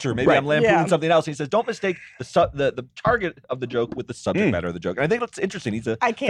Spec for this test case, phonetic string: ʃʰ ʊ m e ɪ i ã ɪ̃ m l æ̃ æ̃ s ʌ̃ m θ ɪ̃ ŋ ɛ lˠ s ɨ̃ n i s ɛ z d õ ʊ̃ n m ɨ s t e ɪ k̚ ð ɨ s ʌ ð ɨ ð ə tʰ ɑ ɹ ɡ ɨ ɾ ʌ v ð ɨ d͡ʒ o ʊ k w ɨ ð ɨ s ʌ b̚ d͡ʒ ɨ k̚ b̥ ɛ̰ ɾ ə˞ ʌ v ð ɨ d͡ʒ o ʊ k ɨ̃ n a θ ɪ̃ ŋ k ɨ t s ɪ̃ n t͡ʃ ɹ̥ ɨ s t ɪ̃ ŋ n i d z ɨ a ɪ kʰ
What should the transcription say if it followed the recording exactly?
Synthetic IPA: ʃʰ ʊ m e ɪ i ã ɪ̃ m l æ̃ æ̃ s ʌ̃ m θ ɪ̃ ŋ ɛ lˠ s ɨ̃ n i s ɛ z d õ ʊ̃ n m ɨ s t e ɪ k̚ ð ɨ s ʌ ð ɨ ð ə tʰ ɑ ɹ ɡ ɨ ɾ ʌ v ð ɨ d͡ʒ o ʊ k w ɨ ð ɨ s ʌ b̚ d͡ʒ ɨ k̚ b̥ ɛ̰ ɾ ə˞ ʌ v ð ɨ d͡ʒ o ʊ k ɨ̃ n a θ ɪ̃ ŋ k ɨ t s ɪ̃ n t͡ʃ ɹ̥ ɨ s t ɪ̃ ŋ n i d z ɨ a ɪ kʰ